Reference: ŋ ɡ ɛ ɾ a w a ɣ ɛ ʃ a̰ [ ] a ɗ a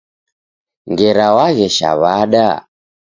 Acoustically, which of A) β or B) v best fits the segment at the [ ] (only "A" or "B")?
A